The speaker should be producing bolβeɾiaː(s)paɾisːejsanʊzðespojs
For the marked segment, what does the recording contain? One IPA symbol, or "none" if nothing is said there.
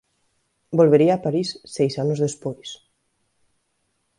none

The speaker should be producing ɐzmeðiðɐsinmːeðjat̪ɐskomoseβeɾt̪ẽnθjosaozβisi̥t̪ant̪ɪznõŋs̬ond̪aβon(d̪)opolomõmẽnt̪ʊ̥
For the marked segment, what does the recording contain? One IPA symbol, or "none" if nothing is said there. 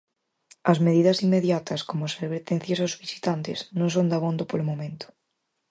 d̪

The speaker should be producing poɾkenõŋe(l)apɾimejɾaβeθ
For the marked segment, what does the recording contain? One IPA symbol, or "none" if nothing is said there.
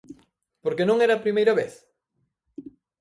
ɾ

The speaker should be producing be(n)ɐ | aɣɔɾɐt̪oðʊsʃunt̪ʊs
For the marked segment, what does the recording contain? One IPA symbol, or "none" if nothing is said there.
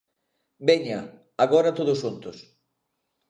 ɲ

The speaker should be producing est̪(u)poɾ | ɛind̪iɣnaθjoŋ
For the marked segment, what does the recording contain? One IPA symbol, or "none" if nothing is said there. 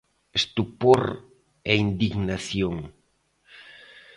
u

